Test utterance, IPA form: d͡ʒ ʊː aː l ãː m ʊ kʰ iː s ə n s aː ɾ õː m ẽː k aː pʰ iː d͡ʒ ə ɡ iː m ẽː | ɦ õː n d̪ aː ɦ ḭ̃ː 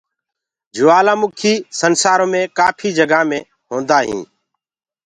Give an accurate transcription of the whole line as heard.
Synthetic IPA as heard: d͡ʒ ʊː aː l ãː m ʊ kʰ iː s ə n s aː ɾ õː m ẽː k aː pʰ iː d͡ʒ ə ɡ aː m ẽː | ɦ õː n d̪ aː ɦ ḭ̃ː